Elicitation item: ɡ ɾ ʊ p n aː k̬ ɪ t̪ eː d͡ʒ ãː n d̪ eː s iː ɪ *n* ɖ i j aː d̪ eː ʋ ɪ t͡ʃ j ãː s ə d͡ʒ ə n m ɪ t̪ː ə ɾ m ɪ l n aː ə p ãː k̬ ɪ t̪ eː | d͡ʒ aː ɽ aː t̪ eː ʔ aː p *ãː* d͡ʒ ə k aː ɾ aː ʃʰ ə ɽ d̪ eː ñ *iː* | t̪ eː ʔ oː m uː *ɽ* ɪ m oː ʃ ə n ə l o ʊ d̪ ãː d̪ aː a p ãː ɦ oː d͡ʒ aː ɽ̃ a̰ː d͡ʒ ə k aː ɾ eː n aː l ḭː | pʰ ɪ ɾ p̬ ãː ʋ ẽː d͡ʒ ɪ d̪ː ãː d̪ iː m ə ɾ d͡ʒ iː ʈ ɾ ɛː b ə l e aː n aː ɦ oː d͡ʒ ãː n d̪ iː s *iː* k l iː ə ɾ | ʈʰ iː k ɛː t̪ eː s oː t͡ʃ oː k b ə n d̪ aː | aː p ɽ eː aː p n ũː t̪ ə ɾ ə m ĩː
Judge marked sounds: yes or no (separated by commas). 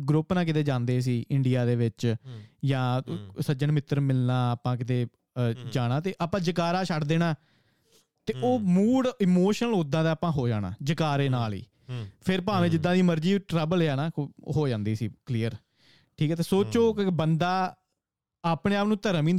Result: no, yes, no, yes, yes